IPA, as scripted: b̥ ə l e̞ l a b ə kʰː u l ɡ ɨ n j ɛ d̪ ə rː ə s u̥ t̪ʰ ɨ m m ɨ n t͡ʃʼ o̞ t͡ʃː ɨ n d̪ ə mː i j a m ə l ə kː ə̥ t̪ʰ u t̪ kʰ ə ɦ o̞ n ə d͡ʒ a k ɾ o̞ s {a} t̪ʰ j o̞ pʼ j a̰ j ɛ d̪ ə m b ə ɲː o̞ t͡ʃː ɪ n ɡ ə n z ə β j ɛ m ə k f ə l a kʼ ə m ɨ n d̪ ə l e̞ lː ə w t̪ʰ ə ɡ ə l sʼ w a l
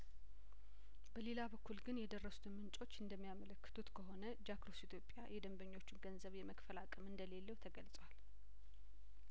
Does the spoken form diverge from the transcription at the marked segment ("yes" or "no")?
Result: yes